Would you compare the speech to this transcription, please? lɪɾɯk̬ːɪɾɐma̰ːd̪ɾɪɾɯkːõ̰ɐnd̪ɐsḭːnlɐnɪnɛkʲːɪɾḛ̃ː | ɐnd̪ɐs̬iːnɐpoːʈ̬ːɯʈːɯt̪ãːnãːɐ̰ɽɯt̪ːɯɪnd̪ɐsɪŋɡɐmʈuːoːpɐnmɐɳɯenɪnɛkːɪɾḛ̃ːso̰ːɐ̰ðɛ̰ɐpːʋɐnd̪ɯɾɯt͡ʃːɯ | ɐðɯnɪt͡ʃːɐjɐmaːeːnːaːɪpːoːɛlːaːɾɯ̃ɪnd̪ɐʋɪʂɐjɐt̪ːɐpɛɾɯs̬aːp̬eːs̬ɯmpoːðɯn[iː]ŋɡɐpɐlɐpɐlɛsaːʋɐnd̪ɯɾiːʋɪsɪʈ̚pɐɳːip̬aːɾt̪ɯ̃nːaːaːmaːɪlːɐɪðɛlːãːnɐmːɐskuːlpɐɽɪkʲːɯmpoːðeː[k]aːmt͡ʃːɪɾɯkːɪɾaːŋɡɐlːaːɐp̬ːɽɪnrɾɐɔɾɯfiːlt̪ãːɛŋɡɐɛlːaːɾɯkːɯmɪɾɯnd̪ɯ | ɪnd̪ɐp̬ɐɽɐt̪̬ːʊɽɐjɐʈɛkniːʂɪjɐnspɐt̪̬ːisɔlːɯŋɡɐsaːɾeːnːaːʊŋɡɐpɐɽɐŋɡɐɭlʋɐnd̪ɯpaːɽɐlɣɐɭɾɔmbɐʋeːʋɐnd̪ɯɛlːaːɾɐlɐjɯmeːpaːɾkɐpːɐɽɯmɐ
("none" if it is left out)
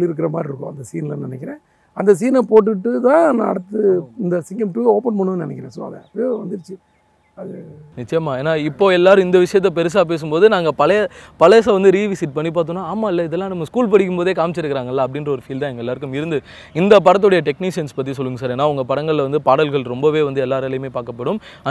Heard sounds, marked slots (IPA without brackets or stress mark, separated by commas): aː, k